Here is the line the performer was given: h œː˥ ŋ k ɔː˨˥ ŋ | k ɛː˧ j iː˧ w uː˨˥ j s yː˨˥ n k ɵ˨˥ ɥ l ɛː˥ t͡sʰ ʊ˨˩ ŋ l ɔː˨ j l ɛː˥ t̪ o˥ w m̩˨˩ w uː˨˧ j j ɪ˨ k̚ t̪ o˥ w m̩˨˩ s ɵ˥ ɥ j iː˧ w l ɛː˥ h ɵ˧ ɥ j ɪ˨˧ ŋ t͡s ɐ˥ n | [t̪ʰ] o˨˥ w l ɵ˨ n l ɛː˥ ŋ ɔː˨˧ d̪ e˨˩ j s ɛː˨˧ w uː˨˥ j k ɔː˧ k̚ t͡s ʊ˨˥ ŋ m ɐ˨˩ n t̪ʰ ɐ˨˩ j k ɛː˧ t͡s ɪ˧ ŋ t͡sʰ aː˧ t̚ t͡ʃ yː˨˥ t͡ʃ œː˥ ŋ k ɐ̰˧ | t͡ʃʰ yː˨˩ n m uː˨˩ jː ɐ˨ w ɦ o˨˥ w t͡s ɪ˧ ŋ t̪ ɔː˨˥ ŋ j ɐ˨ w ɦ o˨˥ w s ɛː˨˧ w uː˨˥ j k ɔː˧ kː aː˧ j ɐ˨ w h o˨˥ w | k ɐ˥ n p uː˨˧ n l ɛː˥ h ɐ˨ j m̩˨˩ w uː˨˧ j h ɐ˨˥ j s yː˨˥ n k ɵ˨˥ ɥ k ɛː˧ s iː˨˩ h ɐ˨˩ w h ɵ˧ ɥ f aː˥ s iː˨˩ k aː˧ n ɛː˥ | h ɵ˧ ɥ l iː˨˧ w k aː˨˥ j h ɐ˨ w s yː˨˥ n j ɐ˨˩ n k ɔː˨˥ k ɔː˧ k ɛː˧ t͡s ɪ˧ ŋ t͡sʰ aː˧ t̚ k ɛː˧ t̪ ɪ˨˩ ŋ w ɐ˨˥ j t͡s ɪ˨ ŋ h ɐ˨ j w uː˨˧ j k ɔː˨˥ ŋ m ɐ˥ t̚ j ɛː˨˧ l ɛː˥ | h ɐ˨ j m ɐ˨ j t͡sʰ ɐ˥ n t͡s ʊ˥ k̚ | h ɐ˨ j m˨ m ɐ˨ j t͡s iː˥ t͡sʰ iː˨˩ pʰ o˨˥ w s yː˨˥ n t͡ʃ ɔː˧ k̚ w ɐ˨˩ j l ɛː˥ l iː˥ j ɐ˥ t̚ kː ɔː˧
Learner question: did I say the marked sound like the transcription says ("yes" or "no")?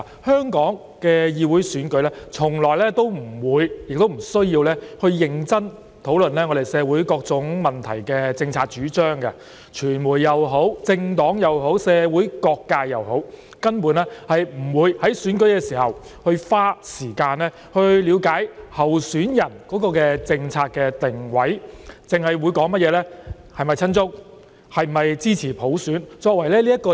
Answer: yes